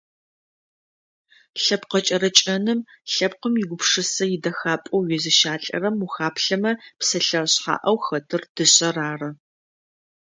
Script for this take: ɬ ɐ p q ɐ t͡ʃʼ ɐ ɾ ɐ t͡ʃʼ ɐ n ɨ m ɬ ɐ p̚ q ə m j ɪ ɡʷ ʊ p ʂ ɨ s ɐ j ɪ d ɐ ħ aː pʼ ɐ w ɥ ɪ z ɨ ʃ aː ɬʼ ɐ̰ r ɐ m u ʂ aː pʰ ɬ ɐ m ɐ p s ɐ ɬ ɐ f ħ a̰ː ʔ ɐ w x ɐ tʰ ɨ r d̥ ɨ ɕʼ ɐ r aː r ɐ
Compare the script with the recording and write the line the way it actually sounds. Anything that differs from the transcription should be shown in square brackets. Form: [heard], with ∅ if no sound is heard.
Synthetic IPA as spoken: ɬ ɐ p q ɐ t͡ʃʼ ɐ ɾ ɐ t͡ʃʼ ɐ n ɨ m ɬ ɐ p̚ q ə m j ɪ ɡʷ ʊ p ʂ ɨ s ɐ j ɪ d ɐ [x] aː pʼ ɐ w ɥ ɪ z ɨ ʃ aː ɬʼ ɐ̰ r ɐ m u [x] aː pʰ ɬ ɐ m ɐ p s ɐ ɬ ɐ [ɕ] ħ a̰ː ʔ ɐ w x ɐ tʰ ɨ r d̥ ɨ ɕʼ ɐ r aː r ɐ